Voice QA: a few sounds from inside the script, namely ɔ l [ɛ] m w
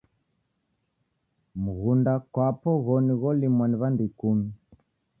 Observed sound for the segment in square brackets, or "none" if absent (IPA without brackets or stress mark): i